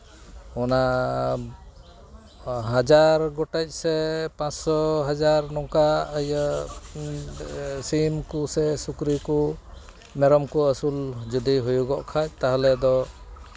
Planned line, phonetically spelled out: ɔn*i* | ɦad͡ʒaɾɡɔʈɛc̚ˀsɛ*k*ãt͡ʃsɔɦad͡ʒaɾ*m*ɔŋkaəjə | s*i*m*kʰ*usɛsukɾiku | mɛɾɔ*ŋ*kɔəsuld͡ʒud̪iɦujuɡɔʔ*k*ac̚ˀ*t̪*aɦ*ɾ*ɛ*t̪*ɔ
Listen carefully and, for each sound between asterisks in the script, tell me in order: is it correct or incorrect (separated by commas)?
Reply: incorrect, incorrect, incorrect, correct, incorrect, incorrect, incorrect, correct, incorrect, incorrect